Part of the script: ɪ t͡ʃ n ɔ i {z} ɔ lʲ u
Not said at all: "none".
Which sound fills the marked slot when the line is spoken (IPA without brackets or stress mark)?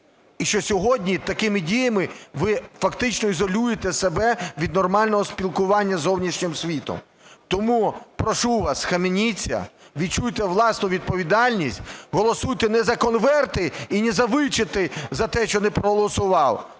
z